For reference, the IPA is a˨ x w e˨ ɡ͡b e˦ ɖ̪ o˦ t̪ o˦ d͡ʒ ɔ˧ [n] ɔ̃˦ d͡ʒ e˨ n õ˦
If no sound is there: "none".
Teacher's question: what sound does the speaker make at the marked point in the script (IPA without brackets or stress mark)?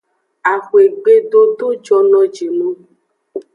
n